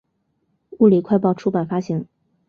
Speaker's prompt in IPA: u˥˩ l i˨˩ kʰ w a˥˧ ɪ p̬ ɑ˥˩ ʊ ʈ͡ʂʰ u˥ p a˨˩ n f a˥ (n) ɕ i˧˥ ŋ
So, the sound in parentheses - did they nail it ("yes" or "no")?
no